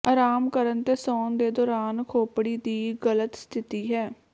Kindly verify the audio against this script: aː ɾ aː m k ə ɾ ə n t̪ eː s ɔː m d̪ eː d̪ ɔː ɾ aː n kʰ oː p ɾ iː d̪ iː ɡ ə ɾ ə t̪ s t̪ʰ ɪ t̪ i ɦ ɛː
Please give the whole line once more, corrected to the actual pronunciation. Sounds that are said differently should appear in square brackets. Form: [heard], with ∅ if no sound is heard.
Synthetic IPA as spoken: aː ɾ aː m k ə ɾ ə n t̪ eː s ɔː [n] d̪ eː d̪ ɔː ɾ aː n kʰ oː p [ɽ] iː d̪ iː ɡ ə [l] ə t̪ s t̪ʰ ɪ t̪ [iː] ɦ ɛː